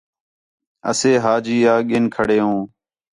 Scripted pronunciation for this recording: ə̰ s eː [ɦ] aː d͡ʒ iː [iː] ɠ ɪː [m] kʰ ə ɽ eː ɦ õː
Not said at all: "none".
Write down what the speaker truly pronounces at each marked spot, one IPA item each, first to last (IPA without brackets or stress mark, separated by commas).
ɦ, aː, n